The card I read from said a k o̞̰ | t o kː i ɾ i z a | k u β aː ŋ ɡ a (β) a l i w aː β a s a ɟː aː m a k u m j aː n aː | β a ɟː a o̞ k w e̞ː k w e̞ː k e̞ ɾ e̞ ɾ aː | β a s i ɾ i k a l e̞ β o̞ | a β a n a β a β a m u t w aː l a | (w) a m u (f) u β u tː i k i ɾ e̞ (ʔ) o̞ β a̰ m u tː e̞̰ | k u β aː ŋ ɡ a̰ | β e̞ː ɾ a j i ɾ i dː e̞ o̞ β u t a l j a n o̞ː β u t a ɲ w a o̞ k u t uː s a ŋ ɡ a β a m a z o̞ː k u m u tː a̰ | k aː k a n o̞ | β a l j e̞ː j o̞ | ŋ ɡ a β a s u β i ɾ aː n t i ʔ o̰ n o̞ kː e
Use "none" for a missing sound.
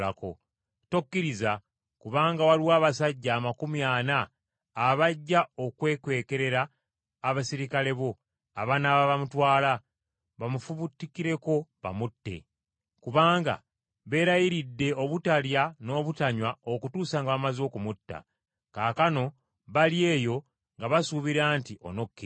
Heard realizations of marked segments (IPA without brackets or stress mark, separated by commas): w, β, f, k